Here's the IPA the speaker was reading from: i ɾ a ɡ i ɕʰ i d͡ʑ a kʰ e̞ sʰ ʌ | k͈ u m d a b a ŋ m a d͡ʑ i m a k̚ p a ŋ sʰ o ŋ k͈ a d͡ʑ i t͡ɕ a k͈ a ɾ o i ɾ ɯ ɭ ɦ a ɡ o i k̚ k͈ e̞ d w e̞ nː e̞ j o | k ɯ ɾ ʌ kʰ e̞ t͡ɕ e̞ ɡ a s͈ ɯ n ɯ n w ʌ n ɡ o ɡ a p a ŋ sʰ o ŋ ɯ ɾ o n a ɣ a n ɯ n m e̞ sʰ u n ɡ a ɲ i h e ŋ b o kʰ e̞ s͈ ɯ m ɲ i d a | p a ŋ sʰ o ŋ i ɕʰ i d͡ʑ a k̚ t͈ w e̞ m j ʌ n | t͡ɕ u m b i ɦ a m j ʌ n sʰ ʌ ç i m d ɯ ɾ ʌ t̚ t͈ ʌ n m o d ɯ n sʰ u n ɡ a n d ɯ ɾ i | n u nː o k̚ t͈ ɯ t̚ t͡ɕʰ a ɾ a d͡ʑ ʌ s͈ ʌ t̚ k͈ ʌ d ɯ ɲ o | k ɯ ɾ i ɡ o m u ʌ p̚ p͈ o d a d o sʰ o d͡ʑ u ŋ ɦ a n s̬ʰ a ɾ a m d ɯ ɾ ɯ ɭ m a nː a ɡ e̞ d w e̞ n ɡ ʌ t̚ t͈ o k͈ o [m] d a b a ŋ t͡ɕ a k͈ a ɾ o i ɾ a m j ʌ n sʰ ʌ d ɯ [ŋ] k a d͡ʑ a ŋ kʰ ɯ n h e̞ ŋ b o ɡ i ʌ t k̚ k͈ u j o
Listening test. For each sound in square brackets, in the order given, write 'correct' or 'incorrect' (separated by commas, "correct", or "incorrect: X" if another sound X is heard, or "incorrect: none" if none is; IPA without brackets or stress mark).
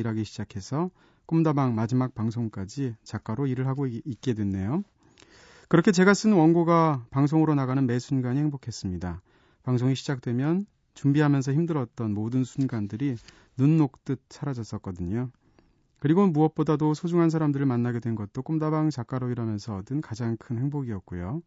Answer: correct, incorrect: n